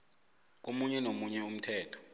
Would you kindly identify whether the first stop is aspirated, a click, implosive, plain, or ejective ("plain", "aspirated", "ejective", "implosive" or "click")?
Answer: plain